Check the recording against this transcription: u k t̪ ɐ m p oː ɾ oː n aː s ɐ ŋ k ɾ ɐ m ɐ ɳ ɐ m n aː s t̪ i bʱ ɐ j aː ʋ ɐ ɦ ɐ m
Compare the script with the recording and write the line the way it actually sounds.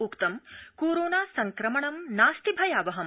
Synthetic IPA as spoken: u k t̪ ɐ m k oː ɾ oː n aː s ɐ ŋ k ɾ ɐ m ɐ ɳ ɐ m n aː s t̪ i bʱ ɐ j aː ʋ ɐ ɦ ɐ m